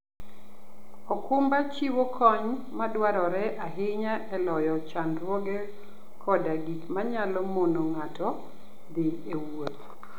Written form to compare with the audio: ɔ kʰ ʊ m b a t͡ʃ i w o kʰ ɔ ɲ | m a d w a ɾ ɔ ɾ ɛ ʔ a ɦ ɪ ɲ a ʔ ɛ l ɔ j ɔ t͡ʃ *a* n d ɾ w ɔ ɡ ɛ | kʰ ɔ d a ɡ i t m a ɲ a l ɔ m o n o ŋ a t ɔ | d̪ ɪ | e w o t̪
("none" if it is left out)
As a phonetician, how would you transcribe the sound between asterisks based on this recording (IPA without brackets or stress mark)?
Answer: a